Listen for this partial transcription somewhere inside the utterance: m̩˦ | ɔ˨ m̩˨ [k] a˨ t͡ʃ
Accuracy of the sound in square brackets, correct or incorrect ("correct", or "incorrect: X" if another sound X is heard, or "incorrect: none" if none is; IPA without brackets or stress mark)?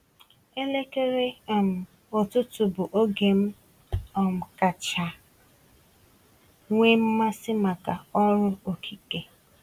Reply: correct